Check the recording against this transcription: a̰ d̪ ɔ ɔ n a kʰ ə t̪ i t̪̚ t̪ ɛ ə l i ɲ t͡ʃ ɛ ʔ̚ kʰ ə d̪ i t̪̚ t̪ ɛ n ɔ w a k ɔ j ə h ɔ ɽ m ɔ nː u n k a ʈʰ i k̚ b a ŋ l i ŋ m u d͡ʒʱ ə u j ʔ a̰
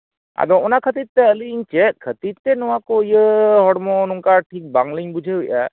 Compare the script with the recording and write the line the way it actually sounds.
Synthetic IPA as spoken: a̰ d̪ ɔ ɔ n a kʰ ə t̪ i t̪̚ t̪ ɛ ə l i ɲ t͡ʃ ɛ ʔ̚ kʰ ə t̪ i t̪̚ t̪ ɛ n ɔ w a k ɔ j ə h ɔ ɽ m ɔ n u ŋ k a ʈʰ i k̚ b a ŋ l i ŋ b u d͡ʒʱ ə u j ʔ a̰